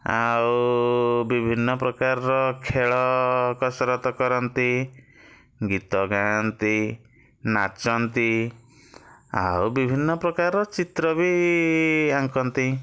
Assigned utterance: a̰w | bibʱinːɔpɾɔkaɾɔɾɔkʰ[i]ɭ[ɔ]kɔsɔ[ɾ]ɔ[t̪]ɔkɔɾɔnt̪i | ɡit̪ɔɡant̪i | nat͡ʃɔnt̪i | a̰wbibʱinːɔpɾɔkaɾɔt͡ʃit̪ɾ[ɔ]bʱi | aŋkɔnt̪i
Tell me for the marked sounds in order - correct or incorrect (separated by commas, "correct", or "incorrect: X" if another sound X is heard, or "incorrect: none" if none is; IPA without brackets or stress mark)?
incorrect: e, correct, correct, correct, correct